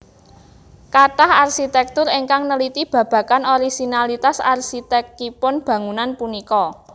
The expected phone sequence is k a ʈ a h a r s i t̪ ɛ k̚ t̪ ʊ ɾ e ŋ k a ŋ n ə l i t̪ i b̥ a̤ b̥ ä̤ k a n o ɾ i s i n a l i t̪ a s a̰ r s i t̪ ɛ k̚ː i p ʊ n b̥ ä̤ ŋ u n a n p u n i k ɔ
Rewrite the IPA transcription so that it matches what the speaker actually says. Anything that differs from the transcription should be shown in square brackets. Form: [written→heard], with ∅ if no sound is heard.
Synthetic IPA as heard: k a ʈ a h a r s i t̪ ɛ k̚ t̪ ʊ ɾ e ŋ k a ŋ n ə l i t̪ i b̥ a̤ b̥ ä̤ k a n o ɾ i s i n a l i t̪ a s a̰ r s i t̪ ɛ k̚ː i p ʊ n b̥ ä̤ ŋ u n a n p u n i k ɔ